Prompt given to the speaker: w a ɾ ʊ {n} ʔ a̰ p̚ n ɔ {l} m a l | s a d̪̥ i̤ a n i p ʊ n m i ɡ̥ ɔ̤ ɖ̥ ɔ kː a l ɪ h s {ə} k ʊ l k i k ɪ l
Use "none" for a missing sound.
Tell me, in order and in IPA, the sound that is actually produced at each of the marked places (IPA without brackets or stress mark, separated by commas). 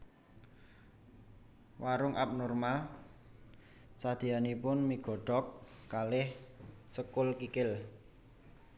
ŋ, r, ə